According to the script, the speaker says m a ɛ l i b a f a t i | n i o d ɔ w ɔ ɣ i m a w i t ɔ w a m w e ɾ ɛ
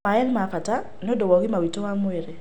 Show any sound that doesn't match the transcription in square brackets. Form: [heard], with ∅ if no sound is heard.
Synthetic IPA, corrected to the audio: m a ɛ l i [m] a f a t [a] | n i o d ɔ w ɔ ɣ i m a w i t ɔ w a m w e ɾ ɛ